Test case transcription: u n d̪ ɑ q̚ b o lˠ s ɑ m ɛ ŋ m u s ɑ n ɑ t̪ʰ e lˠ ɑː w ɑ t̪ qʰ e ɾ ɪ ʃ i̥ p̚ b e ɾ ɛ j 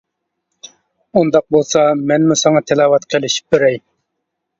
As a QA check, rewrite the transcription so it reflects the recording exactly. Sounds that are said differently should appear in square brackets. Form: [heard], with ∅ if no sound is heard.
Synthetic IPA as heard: u n d̪ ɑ q̚ b o lˠ s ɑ m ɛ [n] m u s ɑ [ŋ] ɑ t̪ʰ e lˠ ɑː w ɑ t̪ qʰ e [l] ɪ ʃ i̥ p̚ b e ɾ ɛ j